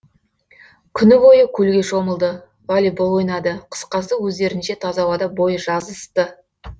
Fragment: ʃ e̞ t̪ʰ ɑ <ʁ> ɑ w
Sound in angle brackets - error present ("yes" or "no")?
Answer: yes